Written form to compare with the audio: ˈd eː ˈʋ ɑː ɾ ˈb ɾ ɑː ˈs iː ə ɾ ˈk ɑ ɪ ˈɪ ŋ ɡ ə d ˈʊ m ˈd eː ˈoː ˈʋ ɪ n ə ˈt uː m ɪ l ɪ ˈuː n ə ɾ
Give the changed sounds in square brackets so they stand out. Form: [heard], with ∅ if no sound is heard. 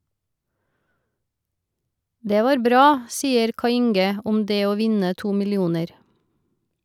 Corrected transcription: ˈd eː ˈʋ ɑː ɾ ˈb ɾ ɑː ˈs iː ə ɾ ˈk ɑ ɪ ˈɪ ŋ ɡ ə [∅] ˈʊ m ˈd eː ˈoː ˈʋ ɪ n ə ˈt uː m ɪ l ɪ ˈuː n ə ɾ